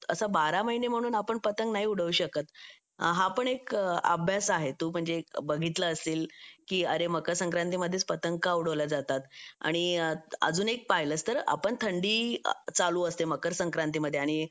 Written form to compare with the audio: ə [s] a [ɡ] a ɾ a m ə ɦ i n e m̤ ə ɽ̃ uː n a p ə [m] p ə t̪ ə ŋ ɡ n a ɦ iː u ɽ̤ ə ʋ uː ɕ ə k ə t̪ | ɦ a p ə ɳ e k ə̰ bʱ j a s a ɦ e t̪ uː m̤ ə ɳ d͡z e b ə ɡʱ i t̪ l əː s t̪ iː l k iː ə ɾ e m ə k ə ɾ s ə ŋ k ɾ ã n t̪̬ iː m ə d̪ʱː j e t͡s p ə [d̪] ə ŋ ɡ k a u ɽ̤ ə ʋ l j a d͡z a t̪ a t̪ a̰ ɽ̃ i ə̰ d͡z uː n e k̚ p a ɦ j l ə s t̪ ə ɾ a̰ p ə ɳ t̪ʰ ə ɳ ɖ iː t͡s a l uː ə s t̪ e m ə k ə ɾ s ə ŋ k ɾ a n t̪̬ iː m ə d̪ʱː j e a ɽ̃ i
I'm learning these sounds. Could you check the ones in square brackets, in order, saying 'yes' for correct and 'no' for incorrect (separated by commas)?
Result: yes, no, no, no